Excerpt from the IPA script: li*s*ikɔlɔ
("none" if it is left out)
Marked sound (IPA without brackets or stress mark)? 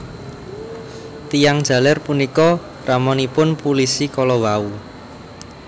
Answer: s